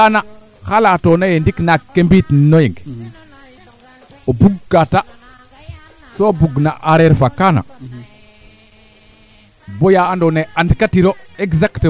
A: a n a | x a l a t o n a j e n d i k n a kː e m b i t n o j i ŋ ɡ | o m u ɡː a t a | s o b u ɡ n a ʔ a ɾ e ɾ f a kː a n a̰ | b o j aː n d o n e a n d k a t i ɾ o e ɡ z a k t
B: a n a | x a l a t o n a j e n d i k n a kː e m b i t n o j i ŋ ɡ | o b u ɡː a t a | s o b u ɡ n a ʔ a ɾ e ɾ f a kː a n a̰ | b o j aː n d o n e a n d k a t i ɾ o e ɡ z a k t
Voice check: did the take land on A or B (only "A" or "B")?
B